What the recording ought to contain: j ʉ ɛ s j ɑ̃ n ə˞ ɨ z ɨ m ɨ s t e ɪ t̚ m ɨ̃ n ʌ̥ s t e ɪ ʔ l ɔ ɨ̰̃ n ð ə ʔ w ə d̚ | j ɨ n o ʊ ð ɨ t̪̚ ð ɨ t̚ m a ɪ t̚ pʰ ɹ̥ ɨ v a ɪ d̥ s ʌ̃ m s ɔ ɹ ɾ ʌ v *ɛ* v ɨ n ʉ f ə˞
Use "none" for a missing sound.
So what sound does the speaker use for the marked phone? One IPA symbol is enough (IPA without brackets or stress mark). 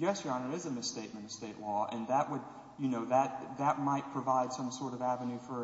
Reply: æ